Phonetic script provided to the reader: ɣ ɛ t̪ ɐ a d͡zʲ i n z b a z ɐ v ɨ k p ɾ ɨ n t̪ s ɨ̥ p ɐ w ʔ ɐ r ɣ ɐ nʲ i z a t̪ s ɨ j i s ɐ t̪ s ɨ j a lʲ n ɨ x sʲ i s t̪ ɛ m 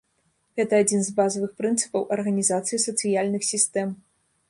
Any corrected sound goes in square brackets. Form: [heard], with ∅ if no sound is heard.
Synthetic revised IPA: ɣ ɛ t̪ ɐ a d͡zʲ i n z b a z ɐ v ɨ [x] p ɾ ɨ n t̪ s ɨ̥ p ɐ w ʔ ɐ r ɣ ɐ nʲ i z a t̪ s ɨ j i s ɐ t̪ s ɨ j a lʲ n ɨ x sʲ i s t̪ ɛ m